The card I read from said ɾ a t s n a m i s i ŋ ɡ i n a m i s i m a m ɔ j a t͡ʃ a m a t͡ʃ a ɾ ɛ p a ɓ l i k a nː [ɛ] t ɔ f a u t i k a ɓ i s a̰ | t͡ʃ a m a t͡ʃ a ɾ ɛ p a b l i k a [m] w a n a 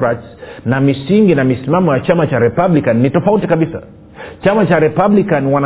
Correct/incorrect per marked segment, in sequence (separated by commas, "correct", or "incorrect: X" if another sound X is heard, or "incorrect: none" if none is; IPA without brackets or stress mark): incorrect: i, incorrect: n